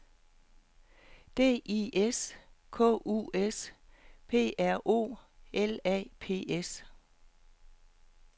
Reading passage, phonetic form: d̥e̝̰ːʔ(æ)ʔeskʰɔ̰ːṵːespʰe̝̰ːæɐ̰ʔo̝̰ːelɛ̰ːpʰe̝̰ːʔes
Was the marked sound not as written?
yes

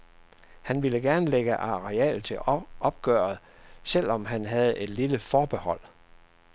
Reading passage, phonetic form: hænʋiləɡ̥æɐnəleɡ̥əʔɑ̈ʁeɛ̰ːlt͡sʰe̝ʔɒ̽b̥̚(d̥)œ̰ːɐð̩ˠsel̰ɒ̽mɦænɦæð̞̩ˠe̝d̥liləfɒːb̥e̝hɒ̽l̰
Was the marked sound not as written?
yes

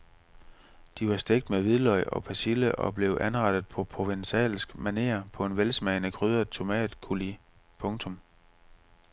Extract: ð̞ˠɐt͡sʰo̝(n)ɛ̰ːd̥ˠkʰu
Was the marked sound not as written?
yes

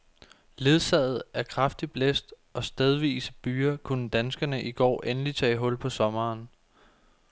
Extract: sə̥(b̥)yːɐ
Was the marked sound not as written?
no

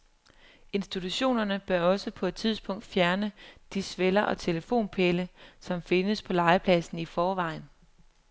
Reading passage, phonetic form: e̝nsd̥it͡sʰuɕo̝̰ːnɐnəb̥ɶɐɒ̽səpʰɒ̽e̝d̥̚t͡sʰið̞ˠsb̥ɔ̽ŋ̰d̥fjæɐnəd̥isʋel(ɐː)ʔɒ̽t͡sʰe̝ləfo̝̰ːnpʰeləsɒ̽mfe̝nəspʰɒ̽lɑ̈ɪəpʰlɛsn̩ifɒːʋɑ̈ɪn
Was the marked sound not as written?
yes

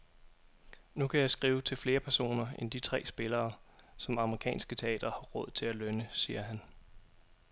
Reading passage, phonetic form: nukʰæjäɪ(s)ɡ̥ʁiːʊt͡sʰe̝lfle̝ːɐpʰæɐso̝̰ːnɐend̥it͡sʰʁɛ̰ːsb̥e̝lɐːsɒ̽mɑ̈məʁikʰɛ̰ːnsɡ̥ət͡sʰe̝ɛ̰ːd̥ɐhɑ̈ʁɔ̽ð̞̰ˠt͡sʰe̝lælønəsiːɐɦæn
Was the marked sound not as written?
no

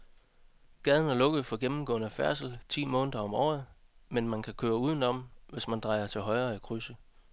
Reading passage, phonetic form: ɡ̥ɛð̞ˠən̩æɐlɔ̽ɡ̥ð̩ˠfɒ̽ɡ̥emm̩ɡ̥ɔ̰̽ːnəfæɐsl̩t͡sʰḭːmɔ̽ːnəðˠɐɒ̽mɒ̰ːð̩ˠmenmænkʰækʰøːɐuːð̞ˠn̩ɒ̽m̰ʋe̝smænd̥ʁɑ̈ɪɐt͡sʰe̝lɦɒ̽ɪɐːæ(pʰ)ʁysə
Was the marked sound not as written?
yes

